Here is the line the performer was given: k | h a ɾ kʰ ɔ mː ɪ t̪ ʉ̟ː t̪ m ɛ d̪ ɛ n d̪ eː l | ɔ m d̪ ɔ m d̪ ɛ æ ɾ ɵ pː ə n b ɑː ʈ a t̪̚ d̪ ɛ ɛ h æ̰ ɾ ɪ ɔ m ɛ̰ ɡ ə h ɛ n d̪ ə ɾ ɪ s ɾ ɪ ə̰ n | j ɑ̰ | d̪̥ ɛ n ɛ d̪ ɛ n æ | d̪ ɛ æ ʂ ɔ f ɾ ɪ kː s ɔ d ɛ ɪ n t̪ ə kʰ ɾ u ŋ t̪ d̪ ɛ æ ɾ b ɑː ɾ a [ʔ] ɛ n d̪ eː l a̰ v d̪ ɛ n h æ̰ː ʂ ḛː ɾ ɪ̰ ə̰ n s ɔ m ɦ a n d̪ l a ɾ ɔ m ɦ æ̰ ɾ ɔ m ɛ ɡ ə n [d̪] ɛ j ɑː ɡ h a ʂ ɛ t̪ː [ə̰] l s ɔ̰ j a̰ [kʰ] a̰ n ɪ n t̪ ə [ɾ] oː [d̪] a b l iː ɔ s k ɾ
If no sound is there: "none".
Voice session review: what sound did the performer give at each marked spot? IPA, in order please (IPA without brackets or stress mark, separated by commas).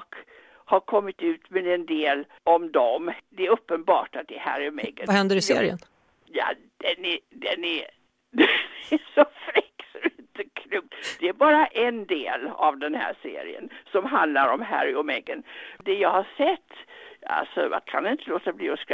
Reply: ʔ, d̪, a̰, kʰ, l, t̪